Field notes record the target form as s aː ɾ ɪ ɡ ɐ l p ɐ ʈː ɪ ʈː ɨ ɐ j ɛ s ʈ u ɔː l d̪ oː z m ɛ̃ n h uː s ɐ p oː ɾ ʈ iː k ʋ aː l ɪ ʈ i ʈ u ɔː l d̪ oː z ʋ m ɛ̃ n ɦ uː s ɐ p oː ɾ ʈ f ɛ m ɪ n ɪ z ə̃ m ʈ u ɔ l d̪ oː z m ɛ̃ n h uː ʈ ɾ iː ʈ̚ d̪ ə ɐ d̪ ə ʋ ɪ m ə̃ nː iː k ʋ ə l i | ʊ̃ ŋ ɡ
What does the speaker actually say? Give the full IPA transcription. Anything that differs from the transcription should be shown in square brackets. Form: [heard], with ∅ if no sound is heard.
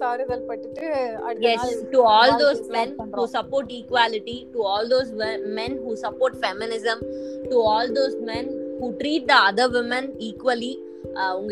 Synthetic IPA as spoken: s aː ɾ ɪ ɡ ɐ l p ɐ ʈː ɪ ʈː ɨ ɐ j ɛ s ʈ u ɔː l d̪ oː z m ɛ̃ n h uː s ɐ p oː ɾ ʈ iː k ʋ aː l ɪ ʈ i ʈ u ɔː l d̪ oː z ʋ m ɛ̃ n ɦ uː s ɐ p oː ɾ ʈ f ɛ m ɪ n ɪ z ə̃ m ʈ u [ɔː] l d̪ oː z m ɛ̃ n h uː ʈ ɾ iː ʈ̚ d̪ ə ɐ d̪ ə ʋ ɪ m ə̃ [n] iː k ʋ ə l i | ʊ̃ ŋ ɡ